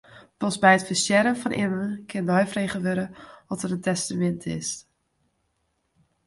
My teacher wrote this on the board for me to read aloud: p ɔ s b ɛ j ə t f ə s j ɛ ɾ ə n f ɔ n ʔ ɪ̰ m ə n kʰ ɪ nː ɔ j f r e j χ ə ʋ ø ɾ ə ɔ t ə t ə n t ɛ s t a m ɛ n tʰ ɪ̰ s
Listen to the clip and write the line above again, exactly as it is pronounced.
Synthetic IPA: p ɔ s b ɛ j ə t f ə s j ɛ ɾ ə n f ɔ n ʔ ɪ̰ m ə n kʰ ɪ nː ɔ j f r e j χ ə ʋ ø ɾ ə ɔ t ə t ə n t ɛ s t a m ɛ n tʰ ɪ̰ s